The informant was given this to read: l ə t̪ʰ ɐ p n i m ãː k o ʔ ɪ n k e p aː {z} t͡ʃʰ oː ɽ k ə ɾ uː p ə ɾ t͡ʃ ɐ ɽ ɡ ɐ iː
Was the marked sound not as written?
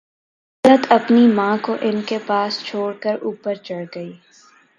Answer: yes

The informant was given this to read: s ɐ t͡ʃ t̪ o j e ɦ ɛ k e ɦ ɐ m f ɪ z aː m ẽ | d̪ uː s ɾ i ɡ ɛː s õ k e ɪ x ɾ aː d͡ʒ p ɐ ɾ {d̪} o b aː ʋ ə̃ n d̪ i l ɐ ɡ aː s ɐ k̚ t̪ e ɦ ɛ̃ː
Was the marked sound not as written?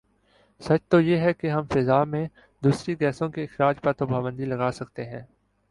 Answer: yes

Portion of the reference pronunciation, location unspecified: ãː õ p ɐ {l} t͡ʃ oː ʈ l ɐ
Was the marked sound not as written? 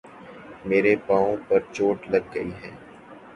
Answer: yes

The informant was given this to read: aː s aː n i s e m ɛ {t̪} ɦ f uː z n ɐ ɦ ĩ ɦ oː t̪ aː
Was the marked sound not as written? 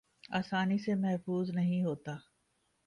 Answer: yes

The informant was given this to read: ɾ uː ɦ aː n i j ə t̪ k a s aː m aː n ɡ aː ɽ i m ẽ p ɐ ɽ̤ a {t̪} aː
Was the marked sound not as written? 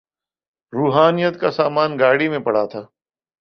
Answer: yes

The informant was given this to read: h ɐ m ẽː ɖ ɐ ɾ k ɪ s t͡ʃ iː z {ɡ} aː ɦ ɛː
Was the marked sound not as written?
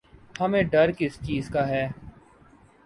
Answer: yes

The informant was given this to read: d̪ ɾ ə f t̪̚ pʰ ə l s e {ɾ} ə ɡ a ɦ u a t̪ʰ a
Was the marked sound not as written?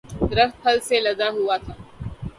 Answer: yes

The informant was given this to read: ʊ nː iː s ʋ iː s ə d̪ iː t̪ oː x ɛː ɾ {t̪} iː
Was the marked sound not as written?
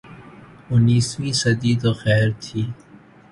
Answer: yes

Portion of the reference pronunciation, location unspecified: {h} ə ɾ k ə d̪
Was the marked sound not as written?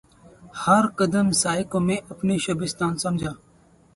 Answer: no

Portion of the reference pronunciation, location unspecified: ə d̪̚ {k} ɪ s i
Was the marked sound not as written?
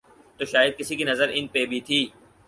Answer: no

